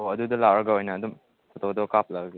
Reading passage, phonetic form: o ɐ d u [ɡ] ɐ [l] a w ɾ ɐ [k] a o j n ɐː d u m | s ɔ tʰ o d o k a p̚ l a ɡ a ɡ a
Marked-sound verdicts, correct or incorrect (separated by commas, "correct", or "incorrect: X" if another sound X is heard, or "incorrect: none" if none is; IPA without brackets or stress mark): incorrect: d, correct, incorrect: ɡ